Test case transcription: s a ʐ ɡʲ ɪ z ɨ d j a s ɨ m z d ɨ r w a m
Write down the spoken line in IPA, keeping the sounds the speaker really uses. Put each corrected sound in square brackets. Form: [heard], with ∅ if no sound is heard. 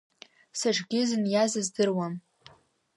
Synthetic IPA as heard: s a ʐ ɡʲ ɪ z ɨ [n] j a [z] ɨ [∅] z d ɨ r w a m